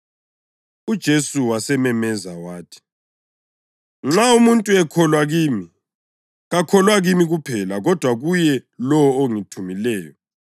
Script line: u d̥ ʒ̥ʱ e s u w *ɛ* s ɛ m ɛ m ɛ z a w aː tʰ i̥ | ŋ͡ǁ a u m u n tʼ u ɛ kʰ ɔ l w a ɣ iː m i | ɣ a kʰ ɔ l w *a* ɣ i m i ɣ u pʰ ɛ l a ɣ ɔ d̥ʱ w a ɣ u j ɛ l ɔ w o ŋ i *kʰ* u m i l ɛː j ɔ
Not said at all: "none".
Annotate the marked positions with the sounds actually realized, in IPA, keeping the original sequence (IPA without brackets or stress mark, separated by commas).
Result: a, a, tʰ